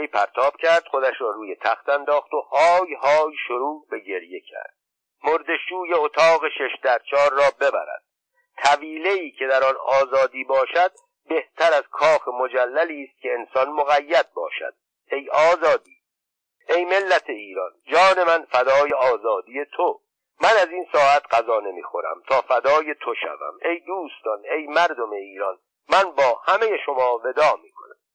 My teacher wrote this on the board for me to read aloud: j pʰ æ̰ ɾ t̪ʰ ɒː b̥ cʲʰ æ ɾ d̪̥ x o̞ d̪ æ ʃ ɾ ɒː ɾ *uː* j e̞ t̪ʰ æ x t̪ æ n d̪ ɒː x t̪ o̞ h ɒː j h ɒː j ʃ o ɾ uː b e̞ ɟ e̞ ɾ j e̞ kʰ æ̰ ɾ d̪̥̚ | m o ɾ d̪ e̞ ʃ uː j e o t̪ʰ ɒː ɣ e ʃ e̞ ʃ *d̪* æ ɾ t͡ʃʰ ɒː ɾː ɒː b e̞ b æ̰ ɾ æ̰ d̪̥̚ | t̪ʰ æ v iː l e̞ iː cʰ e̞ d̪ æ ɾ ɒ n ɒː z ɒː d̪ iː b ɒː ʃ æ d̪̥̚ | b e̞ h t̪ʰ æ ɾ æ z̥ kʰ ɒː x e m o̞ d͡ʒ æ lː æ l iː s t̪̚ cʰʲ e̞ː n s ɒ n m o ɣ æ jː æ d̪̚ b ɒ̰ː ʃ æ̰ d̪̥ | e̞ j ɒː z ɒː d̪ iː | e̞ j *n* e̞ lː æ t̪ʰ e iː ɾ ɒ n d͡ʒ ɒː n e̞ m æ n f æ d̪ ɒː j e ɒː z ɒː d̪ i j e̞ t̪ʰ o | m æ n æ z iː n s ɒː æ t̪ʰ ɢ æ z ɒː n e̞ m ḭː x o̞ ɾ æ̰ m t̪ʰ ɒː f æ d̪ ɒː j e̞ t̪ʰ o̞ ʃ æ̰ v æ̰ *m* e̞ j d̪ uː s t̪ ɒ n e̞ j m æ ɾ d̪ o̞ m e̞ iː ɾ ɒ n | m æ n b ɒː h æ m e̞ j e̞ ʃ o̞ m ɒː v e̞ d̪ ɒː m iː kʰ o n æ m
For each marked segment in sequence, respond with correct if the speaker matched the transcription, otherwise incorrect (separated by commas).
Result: correct, correct, incorrect, correct